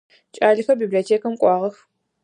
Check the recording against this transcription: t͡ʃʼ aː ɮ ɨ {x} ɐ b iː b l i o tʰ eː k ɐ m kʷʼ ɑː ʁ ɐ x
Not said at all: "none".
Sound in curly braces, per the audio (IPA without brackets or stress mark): x